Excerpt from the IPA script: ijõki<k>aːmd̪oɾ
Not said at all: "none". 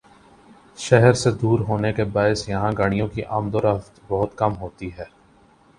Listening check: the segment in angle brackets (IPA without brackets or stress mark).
ʔ